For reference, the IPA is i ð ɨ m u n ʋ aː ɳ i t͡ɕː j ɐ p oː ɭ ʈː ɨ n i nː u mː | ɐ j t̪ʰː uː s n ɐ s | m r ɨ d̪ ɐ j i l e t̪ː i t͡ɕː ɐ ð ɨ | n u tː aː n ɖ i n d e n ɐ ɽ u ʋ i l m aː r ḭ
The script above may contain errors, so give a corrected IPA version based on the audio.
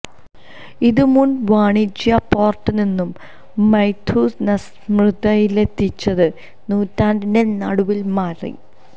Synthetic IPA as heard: i ð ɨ m u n ʋ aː ɳ i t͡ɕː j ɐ p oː r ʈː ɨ n i nː u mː | ɐ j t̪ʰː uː s n ɐ s | m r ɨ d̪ ɐ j i l e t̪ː i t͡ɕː ɐ ð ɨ | n uː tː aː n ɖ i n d e n ɐ ɽ u ʋ i l m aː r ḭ